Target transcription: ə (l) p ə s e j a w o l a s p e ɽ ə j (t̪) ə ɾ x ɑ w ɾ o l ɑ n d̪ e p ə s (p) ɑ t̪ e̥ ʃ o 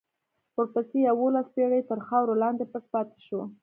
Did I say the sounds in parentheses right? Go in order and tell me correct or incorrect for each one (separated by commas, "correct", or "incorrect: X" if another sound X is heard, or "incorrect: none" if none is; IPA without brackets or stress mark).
incorrect: ɾ, correct, correct